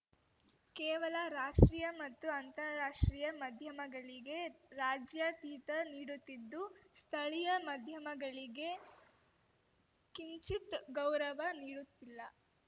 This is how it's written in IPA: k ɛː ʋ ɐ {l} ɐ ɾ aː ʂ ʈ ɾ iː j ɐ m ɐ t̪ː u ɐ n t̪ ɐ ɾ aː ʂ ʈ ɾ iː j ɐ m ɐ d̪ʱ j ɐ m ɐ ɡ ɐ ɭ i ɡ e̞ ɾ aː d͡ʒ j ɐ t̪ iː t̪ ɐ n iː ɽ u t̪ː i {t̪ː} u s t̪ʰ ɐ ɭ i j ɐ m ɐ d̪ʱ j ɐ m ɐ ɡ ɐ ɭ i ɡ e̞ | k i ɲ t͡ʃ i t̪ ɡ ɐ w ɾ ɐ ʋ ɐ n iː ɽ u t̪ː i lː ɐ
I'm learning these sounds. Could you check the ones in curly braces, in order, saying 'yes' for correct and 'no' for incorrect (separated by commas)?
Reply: yes, no